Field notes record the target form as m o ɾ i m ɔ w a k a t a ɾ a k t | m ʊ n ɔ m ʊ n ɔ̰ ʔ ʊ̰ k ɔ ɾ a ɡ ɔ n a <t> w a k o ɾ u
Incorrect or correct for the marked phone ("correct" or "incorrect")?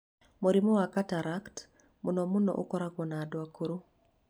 incorrect